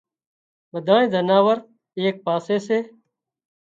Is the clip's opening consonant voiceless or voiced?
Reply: voiced